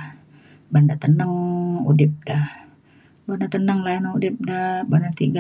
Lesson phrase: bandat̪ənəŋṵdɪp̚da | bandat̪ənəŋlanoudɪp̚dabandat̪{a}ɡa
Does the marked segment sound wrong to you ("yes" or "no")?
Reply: yes